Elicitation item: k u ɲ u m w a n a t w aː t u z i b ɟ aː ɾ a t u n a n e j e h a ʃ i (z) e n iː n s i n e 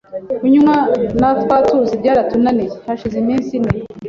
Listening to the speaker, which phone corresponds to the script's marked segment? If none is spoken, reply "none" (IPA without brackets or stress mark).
z